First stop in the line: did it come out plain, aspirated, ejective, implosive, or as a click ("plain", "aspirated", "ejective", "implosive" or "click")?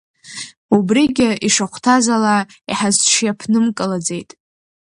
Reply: plain